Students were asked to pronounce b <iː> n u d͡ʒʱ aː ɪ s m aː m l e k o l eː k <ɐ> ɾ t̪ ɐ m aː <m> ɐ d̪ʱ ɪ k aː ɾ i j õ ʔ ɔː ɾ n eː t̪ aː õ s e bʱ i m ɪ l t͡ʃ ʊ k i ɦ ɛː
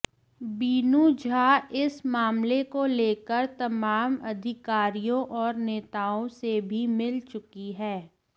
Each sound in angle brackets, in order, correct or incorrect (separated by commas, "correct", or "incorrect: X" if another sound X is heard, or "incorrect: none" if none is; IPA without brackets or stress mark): correct, incorrect: ə, correct